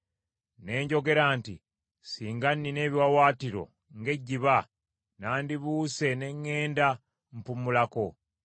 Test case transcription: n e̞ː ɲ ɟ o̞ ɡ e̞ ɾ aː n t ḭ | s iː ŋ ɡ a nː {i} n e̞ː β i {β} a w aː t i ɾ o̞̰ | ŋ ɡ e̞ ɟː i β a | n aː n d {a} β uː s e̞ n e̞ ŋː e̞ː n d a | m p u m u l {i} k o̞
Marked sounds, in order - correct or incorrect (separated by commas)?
correct, incorrect, incorrect, incorrect